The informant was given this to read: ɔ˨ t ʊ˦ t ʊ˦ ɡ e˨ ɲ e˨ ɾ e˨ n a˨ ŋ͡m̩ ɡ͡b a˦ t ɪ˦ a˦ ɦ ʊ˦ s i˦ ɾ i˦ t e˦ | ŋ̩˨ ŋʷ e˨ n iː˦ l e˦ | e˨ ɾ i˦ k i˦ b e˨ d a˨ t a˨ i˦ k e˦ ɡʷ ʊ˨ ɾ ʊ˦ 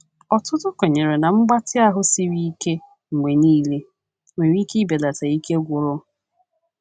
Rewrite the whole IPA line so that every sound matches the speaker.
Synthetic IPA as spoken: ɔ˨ t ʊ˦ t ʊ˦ k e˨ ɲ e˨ ɾ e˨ n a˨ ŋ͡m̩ ɡ͡b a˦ t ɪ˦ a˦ ɦ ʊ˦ s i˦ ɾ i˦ k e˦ | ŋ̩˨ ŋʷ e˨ n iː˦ l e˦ | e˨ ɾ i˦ k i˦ b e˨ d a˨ t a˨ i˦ k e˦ ɡʷ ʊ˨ ɾ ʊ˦